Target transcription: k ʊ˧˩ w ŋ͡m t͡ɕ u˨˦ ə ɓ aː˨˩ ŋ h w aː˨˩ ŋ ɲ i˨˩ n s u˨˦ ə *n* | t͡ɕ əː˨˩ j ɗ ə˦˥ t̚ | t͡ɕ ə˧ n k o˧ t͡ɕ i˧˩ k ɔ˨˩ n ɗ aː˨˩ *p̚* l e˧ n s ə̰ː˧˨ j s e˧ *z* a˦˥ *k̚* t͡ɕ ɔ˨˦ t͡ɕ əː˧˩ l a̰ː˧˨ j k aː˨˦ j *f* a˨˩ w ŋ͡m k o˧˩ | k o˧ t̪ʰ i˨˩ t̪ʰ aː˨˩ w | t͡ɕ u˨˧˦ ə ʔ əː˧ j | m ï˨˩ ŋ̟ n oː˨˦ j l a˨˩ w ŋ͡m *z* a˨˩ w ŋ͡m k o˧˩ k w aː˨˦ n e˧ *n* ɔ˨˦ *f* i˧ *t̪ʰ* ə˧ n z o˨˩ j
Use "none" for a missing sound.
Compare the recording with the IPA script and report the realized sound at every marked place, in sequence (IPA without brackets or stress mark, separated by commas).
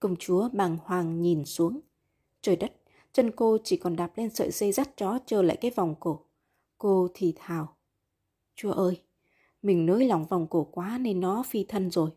ŋ, p̚, z, t̚, v, v, nː, f, t̪ʰ